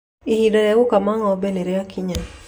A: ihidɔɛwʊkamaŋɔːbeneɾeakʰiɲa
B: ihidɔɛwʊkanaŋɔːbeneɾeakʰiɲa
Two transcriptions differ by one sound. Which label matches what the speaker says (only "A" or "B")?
A